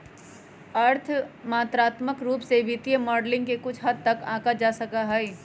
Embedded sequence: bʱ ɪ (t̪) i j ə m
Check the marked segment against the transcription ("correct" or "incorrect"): correct